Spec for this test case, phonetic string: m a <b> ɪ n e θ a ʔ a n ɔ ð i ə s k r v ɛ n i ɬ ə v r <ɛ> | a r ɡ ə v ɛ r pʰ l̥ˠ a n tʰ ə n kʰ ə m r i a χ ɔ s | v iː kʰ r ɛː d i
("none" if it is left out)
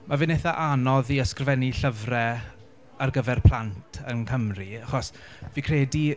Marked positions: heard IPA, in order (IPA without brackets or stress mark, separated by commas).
v, ɛ